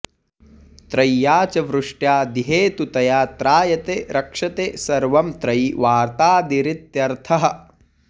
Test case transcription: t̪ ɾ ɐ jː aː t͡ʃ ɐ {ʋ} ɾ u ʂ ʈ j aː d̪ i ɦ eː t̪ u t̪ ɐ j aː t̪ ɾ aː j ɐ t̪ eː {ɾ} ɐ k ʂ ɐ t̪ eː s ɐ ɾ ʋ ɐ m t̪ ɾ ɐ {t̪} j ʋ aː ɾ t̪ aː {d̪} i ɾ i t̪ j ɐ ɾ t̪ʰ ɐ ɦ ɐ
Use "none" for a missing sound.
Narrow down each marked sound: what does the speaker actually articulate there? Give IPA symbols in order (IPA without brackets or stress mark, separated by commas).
ʋ, ɾ, none, d̪